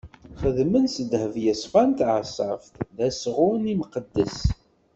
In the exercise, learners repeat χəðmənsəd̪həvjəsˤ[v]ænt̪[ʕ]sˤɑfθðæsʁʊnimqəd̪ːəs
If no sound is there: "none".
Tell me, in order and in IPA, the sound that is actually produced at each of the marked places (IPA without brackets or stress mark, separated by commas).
f, ʕ